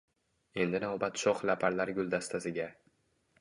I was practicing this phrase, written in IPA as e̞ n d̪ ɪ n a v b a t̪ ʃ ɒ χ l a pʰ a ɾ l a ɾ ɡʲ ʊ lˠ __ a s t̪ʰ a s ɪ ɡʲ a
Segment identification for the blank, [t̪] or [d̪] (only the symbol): d̪